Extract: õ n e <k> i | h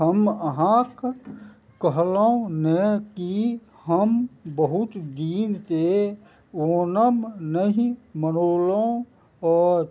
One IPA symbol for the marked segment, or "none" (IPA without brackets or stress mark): k